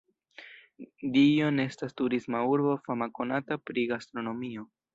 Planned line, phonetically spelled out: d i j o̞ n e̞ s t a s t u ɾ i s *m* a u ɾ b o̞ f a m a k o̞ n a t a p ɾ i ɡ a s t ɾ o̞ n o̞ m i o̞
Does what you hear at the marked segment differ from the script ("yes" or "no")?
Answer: no